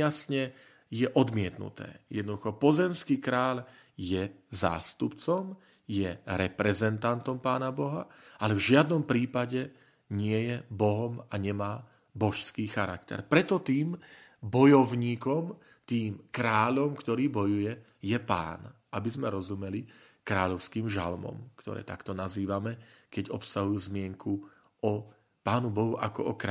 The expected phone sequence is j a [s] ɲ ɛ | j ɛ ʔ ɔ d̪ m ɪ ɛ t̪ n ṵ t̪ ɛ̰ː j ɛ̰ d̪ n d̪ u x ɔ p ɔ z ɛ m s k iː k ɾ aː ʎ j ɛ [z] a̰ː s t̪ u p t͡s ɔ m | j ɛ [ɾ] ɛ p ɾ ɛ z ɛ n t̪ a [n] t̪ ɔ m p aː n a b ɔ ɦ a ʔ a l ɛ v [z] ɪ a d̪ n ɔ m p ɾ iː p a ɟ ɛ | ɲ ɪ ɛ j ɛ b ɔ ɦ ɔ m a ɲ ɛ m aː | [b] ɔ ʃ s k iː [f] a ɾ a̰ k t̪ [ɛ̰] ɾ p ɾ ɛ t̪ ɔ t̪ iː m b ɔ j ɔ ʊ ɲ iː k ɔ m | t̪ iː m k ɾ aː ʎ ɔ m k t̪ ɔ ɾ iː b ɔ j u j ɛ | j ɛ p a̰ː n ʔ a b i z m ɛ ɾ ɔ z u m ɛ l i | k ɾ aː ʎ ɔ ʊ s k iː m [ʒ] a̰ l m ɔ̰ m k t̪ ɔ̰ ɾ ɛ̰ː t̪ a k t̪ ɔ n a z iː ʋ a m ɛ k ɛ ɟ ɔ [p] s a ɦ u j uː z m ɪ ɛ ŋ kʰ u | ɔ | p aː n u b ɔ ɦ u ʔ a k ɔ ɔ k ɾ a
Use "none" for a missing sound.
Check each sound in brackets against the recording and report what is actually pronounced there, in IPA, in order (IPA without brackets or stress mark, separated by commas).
s, z, ɾ, n, ʒ, b, x, ɛ̰, ʒ, p